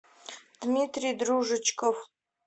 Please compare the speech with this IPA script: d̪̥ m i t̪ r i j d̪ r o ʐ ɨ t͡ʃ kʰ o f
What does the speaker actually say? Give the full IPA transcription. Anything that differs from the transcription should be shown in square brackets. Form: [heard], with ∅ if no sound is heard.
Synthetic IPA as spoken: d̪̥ m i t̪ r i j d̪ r [u] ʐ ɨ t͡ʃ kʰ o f